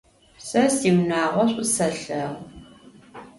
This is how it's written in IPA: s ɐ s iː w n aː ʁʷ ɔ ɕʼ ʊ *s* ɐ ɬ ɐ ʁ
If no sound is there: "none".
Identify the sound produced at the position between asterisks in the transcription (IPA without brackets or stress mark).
s